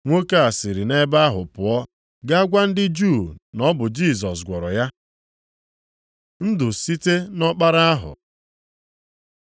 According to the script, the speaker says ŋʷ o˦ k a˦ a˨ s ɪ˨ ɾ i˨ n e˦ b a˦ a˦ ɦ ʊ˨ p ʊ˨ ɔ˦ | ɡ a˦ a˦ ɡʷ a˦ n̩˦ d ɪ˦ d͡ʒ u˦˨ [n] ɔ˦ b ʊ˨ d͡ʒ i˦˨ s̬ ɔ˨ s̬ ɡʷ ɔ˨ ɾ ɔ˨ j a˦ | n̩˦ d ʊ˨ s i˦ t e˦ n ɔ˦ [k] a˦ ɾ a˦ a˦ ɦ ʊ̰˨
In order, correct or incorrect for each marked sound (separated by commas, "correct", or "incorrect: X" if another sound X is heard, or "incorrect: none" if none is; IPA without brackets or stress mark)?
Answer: correct, incorrect: k͡p